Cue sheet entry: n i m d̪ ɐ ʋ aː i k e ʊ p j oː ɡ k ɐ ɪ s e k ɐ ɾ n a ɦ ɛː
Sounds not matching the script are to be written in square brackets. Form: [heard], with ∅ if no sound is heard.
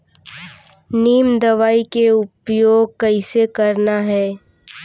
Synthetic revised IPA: n [iː] m d̪ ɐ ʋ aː i k e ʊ p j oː ɡ k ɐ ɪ s e k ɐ ɾ n a ɦ ɛː